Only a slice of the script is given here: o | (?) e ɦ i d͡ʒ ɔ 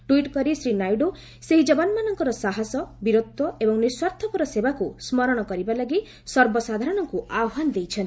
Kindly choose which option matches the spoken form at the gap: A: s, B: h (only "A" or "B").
A